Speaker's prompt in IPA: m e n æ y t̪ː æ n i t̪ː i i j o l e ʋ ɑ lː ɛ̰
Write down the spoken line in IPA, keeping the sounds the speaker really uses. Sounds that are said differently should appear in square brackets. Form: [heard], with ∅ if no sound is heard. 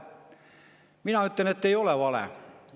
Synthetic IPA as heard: m [i] n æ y t̪ː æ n [e] t̪ː [e] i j o l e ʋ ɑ [l] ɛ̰